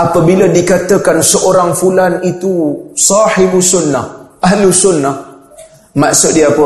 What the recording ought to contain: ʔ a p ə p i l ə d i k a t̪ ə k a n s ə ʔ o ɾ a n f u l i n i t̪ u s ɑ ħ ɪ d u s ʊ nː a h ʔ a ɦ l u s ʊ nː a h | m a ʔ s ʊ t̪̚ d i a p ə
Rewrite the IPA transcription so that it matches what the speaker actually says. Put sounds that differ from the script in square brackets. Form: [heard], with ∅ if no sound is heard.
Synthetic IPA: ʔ a p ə [b] i l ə d i k a t̪ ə k a n s ə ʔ o ɾ a [ŋ] f u l [a] n i t̪ u s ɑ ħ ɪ [b] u s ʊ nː a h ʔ a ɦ l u s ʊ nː a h | m a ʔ s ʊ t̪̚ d i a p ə